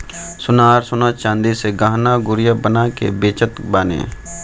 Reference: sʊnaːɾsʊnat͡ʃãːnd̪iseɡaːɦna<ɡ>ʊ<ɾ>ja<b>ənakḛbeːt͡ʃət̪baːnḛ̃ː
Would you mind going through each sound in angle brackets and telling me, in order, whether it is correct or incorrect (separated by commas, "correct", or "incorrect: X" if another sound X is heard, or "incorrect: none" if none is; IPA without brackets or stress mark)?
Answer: correct, correct, correct